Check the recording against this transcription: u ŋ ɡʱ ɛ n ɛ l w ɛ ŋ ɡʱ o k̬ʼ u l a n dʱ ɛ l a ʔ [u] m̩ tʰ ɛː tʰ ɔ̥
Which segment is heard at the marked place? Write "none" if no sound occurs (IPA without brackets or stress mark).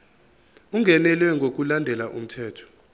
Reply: u